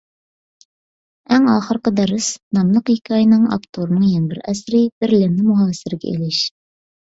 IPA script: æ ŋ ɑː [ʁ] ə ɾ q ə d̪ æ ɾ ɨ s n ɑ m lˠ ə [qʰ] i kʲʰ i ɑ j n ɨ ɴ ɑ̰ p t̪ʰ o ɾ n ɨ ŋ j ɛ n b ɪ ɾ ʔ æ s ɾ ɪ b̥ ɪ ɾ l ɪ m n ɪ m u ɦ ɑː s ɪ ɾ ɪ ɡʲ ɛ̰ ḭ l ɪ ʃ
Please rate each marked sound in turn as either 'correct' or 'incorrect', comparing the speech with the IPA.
incorrect, incorrect

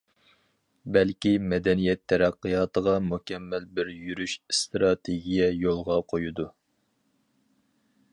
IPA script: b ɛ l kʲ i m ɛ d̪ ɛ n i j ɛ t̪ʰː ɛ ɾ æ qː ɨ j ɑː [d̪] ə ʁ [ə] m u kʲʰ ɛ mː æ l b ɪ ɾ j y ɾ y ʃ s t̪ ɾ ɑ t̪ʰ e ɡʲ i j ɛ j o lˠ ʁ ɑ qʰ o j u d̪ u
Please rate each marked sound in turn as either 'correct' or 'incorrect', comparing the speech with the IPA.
incorrect, incorrect

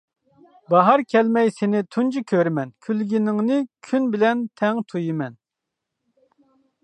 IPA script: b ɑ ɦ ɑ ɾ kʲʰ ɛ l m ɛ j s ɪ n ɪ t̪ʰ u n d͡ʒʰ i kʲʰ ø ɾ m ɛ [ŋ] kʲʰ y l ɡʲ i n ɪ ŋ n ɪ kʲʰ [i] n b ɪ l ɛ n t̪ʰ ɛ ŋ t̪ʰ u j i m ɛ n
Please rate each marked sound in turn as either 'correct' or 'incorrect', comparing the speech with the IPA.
incorrect, incorrect

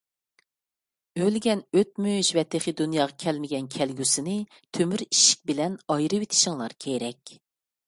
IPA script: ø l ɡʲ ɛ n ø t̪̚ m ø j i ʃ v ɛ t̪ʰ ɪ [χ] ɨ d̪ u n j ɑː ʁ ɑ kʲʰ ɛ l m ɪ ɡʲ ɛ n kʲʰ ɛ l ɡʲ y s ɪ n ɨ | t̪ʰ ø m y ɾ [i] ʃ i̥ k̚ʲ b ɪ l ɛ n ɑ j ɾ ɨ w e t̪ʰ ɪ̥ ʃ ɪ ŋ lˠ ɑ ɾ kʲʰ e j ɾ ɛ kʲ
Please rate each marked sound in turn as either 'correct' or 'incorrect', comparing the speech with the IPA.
correct, correct

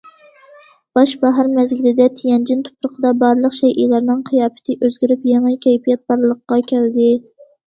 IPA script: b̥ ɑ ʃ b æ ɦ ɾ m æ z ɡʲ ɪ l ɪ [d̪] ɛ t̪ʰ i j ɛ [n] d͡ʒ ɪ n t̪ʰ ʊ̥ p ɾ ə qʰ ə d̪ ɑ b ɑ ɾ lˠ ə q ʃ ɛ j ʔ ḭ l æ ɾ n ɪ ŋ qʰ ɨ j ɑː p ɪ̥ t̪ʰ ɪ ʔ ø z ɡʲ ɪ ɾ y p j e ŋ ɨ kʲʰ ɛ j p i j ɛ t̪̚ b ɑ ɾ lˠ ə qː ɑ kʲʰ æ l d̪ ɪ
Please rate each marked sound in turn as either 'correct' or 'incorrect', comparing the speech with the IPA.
correct, correct

